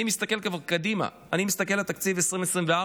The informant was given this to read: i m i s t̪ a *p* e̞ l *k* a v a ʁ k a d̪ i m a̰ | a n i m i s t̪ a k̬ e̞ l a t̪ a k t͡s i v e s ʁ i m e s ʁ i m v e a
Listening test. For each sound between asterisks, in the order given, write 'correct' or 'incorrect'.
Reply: incorrect: k, correct

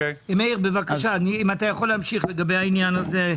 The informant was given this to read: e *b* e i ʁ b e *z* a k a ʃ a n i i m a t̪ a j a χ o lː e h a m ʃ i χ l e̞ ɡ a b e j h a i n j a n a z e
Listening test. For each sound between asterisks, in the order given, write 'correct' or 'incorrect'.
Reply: incorrect: m, incorrect: v

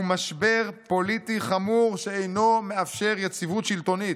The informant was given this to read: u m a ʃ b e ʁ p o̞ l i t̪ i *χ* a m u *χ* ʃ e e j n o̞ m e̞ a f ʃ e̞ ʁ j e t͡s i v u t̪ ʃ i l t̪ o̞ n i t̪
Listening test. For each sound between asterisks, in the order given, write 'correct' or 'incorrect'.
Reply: correct, incorrect: ʁ

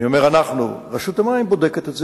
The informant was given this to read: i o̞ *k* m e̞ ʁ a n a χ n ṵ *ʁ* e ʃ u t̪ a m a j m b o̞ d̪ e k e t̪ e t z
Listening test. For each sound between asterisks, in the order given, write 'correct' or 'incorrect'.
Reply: incorrect: none, correct

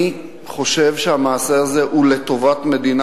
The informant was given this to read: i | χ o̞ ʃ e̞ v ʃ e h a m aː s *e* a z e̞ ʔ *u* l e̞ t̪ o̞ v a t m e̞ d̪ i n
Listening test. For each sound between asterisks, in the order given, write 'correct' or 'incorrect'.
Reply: correct, correct

